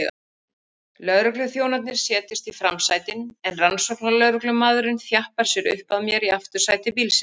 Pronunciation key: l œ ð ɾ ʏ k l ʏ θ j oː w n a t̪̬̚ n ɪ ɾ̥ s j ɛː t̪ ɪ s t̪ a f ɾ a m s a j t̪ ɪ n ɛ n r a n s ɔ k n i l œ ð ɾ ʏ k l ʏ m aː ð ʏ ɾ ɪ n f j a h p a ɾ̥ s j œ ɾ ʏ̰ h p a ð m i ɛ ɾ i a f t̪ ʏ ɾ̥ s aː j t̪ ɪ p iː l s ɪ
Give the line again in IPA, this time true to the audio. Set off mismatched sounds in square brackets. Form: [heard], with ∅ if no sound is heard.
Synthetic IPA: l œ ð ɾ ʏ k l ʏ θ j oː w n a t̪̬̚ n ɪ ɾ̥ s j ɛː t̪ ɪ s t̪ [i] f ɾ a m s a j t̪ ɪ n ɛ n r a n s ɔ k n [a] l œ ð ɾ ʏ k l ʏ m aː ð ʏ ɾ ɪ n [θ] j a h p a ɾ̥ s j [ɛ] ɾ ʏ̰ h p a ð m [j] ɛ ɾ i a f t̪ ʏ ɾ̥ s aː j t̪ ɪ p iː l s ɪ